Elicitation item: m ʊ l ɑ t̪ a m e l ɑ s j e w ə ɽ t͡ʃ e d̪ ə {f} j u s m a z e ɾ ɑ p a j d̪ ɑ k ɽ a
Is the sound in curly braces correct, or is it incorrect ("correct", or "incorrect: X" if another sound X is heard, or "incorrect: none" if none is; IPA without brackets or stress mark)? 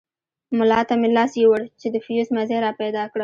correct